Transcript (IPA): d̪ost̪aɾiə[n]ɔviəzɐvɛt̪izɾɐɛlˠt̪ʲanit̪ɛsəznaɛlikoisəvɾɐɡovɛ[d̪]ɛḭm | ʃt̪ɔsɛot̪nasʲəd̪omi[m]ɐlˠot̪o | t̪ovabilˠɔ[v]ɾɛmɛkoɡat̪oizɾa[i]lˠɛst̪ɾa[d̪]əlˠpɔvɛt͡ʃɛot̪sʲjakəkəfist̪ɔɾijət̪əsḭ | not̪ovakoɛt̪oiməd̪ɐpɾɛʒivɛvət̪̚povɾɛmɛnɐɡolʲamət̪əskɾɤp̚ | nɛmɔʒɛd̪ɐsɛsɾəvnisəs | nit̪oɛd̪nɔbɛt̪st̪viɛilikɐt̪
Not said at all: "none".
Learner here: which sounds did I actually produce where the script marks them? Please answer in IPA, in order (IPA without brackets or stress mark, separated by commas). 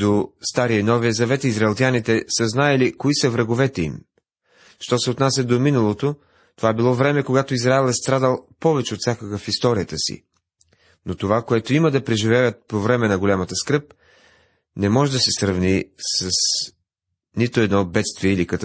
n, t̪, n, v, ɛ, d̪